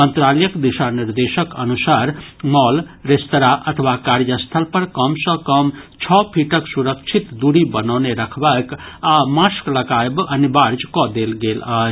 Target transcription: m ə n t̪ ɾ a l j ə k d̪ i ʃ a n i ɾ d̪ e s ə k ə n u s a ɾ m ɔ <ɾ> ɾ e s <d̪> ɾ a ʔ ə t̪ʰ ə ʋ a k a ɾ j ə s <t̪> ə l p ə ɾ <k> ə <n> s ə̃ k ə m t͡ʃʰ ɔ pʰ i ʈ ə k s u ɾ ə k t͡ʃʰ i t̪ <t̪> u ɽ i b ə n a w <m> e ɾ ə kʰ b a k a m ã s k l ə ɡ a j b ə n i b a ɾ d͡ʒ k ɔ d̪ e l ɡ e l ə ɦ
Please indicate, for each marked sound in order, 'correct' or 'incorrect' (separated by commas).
incorrect, incorrect, incorrect, correct, incorrect, incorrect, incorrect